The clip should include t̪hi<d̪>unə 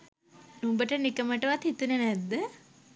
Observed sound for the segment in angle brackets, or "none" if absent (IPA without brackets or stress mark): t̪